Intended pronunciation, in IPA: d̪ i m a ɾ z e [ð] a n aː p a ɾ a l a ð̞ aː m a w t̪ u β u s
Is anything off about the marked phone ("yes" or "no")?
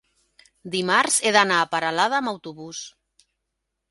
no